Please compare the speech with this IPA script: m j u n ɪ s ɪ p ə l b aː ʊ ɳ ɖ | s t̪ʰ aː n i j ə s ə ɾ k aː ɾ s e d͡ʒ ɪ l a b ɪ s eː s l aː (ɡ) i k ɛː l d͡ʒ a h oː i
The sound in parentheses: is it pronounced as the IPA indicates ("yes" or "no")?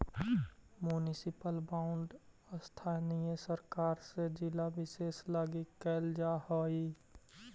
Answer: yes